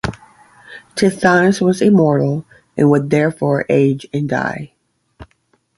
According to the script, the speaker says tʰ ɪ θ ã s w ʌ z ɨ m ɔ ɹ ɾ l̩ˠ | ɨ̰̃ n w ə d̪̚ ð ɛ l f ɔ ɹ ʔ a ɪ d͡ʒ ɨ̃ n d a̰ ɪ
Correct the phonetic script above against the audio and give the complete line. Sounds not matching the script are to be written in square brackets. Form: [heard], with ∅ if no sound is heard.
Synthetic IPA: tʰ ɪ θ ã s w ʌ z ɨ m ɔ ɹ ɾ l̩ˠ | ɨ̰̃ n w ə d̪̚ ð ɛ [ɹ] f ɔ ɹ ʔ [e] ɪ d͡ʒ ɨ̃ n d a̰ ɪ